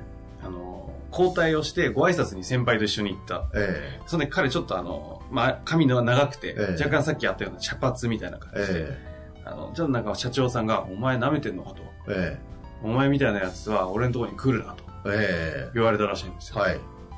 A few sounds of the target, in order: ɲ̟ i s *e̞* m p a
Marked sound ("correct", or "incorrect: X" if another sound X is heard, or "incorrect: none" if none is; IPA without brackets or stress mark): incorrect: ẽ̞